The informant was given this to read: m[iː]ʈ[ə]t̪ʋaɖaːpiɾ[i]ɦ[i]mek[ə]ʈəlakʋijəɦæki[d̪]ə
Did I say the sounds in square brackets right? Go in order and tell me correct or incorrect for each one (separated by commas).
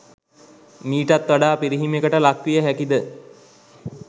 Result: correct, incorrect, correct, correct, correct, correct